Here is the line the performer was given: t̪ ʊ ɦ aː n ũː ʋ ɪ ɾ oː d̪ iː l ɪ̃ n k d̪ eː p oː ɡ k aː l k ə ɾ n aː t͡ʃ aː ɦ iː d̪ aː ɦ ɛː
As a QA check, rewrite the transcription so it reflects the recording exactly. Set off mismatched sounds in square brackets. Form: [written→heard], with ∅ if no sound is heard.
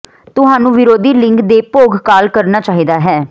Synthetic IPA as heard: t̪ ʊ ɦ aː n ũː ʋ ɪ ɾ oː d̪ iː l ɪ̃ [n→ŋ] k d̪ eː p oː ɡ k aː l k ə ɾ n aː t͡ʃ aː ɦ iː d̪ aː ɦ ɛː